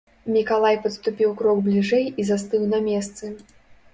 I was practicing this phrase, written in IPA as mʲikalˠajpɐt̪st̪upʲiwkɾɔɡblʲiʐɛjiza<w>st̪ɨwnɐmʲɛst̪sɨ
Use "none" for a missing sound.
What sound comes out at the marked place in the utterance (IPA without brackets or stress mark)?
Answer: none